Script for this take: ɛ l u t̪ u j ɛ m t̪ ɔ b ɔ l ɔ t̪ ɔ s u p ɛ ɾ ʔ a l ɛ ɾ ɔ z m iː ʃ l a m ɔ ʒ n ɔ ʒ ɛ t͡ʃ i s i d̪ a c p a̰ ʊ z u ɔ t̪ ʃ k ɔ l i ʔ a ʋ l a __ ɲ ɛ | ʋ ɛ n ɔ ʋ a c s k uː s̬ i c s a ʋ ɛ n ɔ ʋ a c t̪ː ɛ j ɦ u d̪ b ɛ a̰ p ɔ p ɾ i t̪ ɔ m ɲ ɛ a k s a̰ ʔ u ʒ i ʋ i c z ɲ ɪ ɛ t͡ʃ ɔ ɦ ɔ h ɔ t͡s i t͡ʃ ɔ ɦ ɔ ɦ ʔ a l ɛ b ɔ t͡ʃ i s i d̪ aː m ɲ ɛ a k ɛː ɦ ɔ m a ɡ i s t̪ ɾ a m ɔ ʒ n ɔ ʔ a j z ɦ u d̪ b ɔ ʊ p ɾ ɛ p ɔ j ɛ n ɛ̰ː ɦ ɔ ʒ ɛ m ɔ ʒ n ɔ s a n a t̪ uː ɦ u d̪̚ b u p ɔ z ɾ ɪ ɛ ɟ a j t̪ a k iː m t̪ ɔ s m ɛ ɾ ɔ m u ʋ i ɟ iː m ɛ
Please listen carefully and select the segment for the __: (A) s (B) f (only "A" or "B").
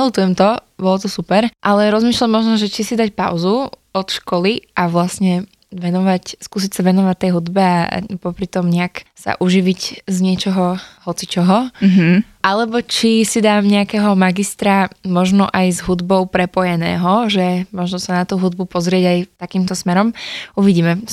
A